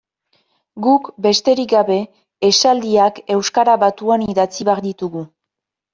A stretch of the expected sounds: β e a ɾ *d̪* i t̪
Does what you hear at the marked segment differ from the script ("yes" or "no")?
no